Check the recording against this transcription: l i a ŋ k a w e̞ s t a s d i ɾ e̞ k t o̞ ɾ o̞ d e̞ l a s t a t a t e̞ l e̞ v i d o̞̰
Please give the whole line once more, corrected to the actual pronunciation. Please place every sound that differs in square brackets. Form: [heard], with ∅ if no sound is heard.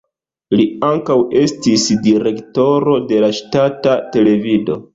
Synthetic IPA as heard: l i a ŋ k a w e̞ s t [i] s d i ɾ e̞ k t o̞ ɾ o̞ d e̞ l a [ʃ] t a t a t e̞ l e̞ v i d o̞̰